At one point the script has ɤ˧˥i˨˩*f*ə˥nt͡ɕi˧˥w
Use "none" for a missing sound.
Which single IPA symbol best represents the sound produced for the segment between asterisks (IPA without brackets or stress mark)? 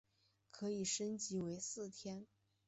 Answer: ʂ